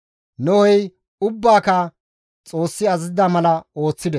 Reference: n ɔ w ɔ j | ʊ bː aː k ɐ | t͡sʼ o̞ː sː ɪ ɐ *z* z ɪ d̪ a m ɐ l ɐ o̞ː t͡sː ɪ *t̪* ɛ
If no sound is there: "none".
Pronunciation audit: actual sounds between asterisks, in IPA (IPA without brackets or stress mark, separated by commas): z, d̪